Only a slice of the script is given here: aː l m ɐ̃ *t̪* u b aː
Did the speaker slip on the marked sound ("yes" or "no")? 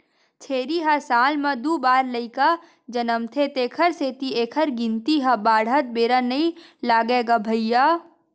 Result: yes